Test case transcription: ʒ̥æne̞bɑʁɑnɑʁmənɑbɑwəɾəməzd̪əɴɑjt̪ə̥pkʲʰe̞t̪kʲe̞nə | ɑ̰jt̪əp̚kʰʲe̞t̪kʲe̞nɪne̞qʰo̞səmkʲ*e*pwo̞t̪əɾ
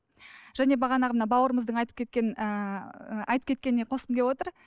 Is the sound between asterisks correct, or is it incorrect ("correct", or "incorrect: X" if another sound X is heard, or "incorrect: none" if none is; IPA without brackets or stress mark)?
correct